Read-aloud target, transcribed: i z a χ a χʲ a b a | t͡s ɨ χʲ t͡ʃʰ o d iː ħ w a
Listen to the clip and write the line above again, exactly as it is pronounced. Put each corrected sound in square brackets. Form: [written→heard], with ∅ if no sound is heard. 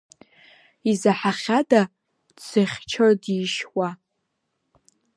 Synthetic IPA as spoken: i z a [χ→ħ] a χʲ a [b→d] a | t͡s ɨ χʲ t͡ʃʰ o d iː [ħ→ʃ] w a